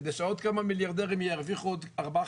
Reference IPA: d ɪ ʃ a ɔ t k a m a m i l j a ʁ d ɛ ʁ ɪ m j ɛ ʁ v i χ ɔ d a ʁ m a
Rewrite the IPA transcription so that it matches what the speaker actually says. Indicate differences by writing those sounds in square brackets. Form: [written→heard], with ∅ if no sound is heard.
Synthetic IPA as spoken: d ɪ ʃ a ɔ t k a m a m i l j a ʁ d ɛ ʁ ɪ m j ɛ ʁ v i χ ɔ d a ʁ [m→b] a

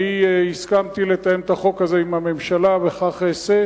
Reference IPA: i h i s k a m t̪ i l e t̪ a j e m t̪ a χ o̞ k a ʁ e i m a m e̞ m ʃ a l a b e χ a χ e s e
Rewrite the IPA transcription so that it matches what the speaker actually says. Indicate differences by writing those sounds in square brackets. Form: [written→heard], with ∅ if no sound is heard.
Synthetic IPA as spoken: i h i s k a m t̪ i l e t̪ a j e m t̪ a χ o̞ k a [ʁ→z] e i m a m e̞ m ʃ a l a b e χ a χ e s e

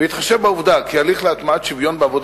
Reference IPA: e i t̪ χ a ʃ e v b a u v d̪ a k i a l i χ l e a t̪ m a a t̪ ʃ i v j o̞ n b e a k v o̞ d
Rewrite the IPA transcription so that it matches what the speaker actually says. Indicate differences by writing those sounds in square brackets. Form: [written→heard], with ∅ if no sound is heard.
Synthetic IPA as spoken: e i t̪ χ a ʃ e v b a u v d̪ a k i a l i χ l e a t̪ m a a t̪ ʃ i v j o̞ n b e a [k→∅] v o̞ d

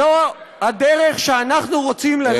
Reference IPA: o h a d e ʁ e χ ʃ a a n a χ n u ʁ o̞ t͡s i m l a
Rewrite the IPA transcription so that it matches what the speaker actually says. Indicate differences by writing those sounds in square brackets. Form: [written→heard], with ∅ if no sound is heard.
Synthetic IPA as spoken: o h a d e ʁ e χ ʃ [a→e] a n a χ n u ʁ o̞ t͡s i m l a

